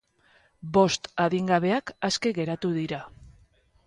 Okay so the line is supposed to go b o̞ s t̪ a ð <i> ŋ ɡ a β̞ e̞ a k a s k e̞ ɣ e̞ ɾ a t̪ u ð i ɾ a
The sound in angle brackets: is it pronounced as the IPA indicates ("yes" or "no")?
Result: yes